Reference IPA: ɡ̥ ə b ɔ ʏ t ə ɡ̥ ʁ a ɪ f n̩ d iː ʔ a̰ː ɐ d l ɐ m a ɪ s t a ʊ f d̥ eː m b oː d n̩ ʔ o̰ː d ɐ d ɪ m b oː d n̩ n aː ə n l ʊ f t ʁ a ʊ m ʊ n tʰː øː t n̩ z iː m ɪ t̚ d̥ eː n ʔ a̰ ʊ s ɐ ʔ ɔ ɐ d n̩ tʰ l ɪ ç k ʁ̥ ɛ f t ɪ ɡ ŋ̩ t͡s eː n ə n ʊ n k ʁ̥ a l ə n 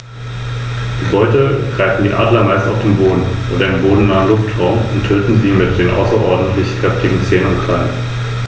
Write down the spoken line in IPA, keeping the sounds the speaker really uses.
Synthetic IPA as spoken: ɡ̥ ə b ɔ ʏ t ə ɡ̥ ʁ a ɪ f n̩ d iː ʔ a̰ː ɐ d l ɐ m a ɪ s t a ʊ f d̥ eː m b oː d n̩ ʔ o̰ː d ɐ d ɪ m b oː d n̩ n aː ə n l ʊ f t ʁ a ʊ m ʊ n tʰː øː t n̩ z iː m ɪ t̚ d̥ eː n ʔ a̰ ʊ s ɐ ʔ ɔ ɐ d n̩ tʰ l ɪ ç k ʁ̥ ɛ f t ɪ ɡ ŋ̩ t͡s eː n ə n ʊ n k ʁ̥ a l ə n

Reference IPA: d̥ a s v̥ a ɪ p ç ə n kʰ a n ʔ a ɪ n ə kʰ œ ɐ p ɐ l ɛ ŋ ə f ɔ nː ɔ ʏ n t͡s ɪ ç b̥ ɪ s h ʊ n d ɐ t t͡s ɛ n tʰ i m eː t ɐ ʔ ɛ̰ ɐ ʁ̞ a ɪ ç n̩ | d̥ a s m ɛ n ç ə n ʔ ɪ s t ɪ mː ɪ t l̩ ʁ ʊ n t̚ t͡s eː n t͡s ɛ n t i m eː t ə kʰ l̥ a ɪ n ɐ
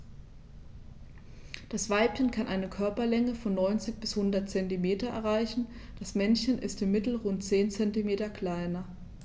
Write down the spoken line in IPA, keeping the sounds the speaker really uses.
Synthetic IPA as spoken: d̥ a s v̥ a ɪ p ç ə n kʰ a n ʔ a ɪ n ə kʰ œ ɐ p ɐ l ɛ ŋ ə f ɔ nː ɔ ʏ n t͡s ɪ ç b̥ ɪ s h ʊ n d ɐ t t͡s ɛ n t i m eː t ɐ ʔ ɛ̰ ɐ ʁ̞ a ɪ ç n̩ | d̥ a s m ɛ n ç ə n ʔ ɪ s t ɪ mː ɪ t l̩ ʁ ʊ n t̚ t͡s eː n t͡s ɛ n t i m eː t ɐ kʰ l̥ a ɪ n ɐ

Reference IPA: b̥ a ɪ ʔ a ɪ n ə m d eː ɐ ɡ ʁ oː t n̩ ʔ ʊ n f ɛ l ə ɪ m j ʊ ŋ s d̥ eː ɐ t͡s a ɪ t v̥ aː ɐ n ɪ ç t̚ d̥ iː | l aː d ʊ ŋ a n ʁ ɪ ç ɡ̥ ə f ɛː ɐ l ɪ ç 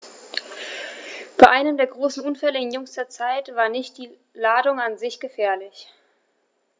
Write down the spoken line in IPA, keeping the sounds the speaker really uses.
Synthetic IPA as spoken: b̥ a ɪ ʔ a ɪ n ə m d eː ɐ ɡ ʁ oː s n̩ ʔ ʊ n f ɛ l ə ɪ n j ʊ ŋ s d̥ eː ɐ t͡s a ɪ t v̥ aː ɐ n ɪ ç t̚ d̥ iː | l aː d ʊ ŋ a n z ɪ ç ɡ̥ ə f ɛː ɐ l ɪ ç

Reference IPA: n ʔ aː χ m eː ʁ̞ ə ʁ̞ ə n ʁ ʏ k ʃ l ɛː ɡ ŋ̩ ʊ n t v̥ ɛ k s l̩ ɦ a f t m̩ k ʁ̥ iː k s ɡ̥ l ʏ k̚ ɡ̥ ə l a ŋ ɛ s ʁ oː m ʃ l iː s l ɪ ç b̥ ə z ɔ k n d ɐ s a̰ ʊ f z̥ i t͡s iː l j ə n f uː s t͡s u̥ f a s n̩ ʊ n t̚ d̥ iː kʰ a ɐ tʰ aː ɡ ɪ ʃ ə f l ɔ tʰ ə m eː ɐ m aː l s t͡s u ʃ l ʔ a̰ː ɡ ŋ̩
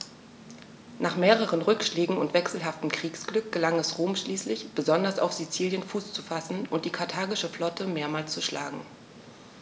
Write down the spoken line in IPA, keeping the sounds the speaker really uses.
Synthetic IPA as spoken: n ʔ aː χ m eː ʁ̞ ə ʁ̞ ə n ʁ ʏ k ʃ l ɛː ɡ ŋ̩ ʊ n t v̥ ɛ k s l̩ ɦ a f t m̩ k ʁ̥ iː k s ɡ̥ l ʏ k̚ ɡ̥ ə l a ŋ ɛ s ʁ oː m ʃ l iː s l ɪ ç b̥ ə z ɔ n d ɐ s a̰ ʊ f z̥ i t͡s iː l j ə n f uː s t͡s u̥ f a s n̩ ʊ n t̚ d̥ iː kʰ a ɐ tʰ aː ɡ ɪ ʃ ə f l ɔ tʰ ə m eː ɐ m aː l s t͡s u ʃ l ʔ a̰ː ɡ ŋ̩

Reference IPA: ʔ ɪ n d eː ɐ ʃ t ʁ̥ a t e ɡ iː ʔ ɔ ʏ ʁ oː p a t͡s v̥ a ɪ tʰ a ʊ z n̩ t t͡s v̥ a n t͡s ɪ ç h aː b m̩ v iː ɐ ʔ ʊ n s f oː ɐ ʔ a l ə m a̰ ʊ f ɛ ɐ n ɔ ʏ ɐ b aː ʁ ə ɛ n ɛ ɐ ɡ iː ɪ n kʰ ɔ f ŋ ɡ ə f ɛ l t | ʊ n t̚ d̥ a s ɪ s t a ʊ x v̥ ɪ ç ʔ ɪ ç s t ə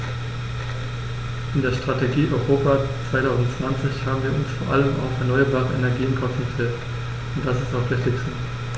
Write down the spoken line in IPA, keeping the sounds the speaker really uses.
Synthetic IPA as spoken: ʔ ɪ n d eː ɐ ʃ t ʁ̥ a t e ɡ iː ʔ ɔ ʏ ʁ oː p a t͡s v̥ a ɪ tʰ a ʊ z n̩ t t͡s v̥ a n t͡s ɪ ç h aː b m̩ v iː ɐ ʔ ʊ n s f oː ɐ ʔ a l ə m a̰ ʊ f ɛ ɐ n ɔ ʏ ɐ b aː ʁ ə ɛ n ɛ ɐ ɡ iː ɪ n kʰ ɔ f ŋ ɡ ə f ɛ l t | ʊ n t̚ d̥ a s ɪ s t a ʊ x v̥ ɪ ç t ɪ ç s t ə

